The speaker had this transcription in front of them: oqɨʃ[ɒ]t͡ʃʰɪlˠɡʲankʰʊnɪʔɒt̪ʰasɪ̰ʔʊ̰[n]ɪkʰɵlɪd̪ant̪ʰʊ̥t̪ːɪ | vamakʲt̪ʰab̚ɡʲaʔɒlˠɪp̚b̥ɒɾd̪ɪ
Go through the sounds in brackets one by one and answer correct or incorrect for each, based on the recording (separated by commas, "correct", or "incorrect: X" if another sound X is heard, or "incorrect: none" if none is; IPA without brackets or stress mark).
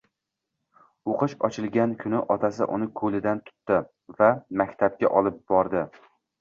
correct, correct